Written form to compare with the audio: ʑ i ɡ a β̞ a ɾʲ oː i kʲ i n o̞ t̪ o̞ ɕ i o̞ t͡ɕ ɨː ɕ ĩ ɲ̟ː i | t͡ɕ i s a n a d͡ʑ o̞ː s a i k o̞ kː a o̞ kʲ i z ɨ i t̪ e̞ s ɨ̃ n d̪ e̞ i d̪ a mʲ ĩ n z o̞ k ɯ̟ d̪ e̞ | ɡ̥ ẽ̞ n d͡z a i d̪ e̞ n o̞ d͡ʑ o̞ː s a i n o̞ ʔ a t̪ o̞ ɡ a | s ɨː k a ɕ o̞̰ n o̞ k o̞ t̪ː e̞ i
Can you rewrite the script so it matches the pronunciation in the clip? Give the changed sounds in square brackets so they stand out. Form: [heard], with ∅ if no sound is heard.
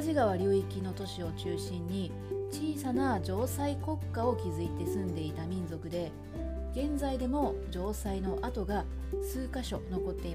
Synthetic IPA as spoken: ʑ i ɡ a β̞ a ɾʲ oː i kʲ i n o̞ t̪ o̞ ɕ i o̞ t͡ɕ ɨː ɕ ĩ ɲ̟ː i | t͡ɕ [iː] s a n a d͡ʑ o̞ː s a i k o̞ kː a o̞ kʲ i z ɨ i t̪ e̞ s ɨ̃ n d̪ e̞ i [t̪] a mʲ ĩ n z o̞ k ɯ̟ d̪ e̞ | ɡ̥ ẽ̞ n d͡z a i d̪ e̞ [m] o̞ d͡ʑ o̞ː s a i n o̞ ʔ a t̪ o̞ ɡ a | s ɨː k a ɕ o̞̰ n o̞ k o̞ t̪ː e̞ i